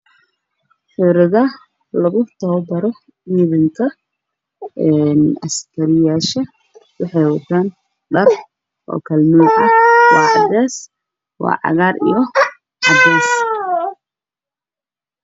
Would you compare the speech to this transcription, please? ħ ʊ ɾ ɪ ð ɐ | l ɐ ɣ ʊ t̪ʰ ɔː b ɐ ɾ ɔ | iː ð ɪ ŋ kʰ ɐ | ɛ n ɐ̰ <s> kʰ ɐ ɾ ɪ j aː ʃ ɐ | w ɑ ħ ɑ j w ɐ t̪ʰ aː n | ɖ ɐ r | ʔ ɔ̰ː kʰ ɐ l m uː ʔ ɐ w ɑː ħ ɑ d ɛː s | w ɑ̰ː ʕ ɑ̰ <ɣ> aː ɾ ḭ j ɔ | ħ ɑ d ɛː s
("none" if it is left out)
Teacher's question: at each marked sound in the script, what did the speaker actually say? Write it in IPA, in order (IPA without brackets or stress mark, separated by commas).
s, ɣ